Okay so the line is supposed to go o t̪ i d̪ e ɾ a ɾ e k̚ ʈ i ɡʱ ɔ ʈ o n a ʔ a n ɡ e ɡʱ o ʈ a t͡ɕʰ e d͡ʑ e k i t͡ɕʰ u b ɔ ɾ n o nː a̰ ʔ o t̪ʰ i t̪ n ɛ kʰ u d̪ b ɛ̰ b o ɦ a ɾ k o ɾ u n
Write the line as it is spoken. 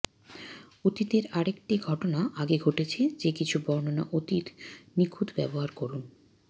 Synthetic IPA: o t̪ i t̪ e ɾ a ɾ e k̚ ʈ i ɡʱ ɔ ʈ o n a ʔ a ɡ e ɡʱ o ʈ e t͡ɕʰ e d͡ʑ e k i t͡ɕʰ u b ɔ ɾ n o n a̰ ʔ o t̪ i t̪ n i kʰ u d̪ b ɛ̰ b o ɦ a ɾ k o ɾ u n